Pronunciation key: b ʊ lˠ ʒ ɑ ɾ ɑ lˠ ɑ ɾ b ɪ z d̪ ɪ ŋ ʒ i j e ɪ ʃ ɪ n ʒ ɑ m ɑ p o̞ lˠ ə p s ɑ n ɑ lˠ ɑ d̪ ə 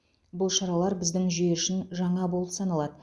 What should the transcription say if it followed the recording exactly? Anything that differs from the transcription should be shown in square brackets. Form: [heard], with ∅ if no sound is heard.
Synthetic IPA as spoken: b ʊ lˠ [ʃ] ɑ ɾ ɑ lˠ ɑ ɾ b ɪ z d̪ ɪ ŋ ʒ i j e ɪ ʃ ɪ n ʒ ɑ [ɴ] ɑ [b] o̞ lˠ ə p s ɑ n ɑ lˠ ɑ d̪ ə